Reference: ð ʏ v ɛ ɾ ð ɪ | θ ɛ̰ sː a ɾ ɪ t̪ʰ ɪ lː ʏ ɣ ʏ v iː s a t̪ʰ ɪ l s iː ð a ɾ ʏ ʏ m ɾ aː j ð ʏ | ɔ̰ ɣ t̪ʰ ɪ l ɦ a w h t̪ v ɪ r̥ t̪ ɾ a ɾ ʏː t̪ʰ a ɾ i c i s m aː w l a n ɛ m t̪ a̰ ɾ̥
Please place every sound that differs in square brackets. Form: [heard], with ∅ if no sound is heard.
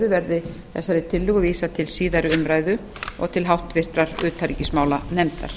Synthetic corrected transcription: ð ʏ v ɛ ɾ ð ɪ | θ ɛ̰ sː a ɾ ɪ t̪ʰ ɪ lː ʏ ɣ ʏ v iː s a t̪ʰ ɪ l s iː ð a ɾ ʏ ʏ m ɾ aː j ð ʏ | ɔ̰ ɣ t̪ʰ ɪ l ɦ a w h t̪ v ɪ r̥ t̪ ɾ a ɾ ʏː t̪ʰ a ɾ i c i s m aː w l a n ɛ m t̪ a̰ ɾ̥

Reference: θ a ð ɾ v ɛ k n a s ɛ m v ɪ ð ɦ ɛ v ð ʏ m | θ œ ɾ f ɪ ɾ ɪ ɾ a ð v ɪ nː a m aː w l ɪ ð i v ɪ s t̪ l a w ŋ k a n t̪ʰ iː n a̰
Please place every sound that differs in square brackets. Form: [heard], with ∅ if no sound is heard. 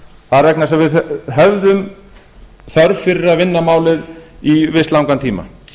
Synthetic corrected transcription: θ a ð ɾ v ɛ k n a s ɛ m v ɪ ð ɦ ɛ v ð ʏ m | θ œ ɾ f ɪ ɾ ɪ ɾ a ð v ɪ nː a m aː w l ɪ ð i v ɪ s t̪ l a w ŋ k a n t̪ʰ iː [m] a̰

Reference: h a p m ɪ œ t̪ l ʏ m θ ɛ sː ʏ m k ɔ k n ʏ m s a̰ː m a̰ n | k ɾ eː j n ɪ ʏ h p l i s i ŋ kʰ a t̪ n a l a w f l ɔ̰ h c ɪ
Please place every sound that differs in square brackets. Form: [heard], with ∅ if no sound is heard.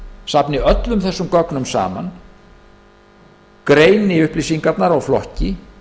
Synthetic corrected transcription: [s] a p [n] ɪ œ t̪ l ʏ m θ ɛ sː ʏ m k ɔ k n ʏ m s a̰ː m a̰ n | k ɾ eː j n ɪ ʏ h p l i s i ŋ [k] a t̪ n a [ɾ] a w f l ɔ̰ h c ɪ

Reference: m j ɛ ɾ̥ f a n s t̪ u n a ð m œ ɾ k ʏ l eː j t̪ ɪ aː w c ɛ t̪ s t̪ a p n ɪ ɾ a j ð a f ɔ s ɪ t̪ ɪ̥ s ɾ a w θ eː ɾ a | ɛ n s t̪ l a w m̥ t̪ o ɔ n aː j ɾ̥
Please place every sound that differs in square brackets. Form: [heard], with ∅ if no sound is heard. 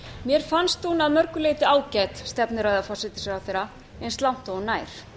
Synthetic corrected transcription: m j ɛ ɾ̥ f a n s t̪ u n a ð m œ ɾ k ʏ l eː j t̪ ɪ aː w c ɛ t̪ s t̪ [ɛ] p n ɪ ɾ a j ð a f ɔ s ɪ t̪ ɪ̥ s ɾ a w θ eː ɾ a | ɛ n s t̪ l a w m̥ t̪ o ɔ n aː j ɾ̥

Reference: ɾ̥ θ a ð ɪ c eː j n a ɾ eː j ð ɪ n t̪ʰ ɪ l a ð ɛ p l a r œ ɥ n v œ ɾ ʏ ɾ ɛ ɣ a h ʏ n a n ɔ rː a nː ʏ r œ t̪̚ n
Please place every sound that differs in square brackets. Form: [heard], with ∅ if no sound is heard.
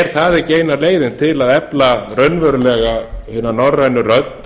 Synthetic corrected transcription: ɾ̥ θ a ð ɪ c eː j n a [l] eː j ð ɪ n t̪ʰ ɪ l a ð ɛ p l a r œ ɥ n v œ ɾ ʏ [l] ɛ ɣ a h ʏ n a n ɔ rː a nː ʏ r œ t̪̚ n

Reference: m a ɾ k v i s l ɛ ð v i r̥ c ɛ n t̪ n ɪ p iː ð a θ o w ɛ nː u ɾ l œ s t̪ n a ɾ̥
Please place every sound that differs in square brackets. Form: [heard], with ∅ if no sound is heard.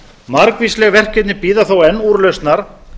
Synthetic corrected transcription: m a ɾ k v i s l ɛ [ɣ] v [ɛ] r̥ c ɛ [∅] t̪ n ɪ p iː ð a θ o w ɛ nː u ɾ l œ s t̪ n a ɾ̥

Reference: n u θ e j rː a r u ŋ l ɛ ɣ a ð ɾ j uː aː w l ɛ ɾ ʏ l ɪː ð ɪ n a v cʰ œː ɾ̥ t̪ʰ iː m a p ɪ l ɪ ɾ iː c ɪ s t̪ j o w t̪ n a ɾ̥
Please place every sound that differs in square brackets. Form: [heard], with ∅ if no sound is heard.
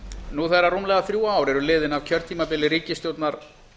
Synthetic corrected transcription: n u θ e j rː a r u [m] l ɛ ɣ a [θ] ɾ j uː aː w [ɾ] ɛ ɾ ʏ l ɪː ð ɪ n a v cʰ [œ] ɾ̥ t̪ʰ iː m a p ɪ l ɪ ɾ iː c ɪ s t̪ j o w t̪ n a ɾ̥

